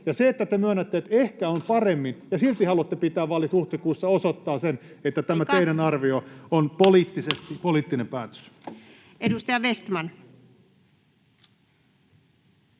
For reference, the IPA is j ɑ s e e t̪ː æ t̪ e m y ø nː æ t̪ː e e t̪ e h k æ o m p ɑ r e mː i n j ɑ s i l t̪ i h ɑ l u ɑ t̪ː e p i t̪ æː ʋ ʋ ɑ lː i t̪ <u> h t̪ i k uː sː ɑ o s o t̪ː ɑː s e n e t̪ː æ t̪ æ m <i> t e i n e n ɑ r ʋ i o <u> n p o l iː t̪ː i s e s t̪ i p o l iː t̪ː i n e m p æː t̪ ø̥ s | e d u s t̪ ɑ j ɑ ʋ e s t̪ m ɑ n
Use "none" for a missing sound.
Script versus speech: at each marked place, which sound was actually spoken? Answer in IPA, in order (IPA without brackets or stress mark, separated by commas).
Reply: u, æ, o